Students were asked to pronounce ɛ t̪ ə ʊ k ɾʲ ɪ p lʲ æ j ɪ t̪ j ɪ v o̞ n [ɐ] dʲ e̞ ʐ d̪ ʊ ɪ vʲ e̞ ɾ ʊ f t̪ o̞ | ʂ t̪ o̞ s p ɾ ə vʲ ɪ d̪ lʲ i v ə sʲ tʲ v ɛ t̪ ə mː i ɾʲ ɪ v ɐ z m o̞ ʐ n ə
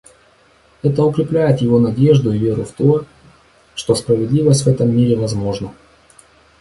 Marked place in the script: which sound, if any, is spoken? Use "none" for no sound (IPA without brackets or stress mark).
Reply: ɐ